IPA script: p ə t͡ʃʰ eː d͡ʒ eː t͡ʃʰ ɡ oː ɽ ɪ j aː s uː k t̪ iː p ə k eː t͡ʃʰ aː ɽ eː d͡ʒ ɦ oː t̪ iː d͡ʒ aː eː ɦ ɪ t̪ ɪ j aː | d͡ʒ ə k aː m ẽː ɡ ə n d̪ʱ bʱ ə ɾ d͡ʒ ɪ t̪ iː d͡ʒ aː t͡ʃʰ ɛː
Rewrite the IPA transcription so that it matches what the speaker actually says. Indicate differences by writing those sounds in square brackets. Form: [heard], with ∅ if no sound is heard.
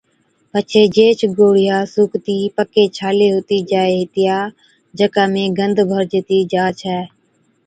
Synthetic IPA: p ə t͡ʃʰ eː d͡ʒ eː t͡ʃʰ ɡ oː ɽ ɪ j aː s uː k t̪ iː p ə k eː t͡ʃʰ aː [l] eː [∅] ɦ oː t̪ iː d͡ʒ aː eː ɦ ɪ t̪ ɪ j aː | d͡ʒ ə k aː m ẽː ɡ ə n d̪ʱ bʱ ə ɾ d͡ʒ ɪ t̪ iː d͡ʒ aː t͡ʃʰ ɛː